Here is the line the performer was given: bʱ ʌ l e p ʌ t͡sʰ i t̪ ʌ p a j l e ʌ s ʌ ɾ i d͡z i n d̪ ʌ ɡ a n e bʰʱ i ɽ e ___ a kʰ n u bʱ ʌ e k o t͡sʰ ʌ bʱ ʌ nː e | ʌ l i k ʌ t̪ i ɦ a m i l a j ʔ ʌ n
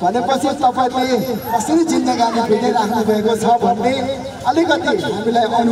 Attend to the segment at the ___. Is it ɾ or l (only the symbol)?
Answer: ɾ